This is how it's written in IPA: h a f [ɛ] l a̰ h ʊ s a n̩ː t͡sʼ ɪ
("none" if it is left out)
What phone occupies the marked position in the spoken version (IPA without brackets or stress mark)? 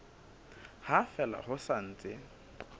ɛ